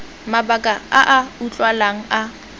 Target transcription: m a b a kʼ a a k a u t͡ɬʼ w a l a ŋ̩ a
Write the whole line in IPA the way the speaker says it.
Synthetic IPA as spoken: m a b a kʼ a a ʔ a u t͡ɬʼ w a l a ŋ̩ a